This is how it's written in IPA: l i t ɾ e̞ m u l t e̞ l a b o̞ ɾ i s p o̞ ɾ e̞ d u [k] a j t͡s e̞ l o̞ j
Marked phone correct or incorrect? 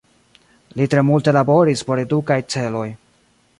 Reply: correct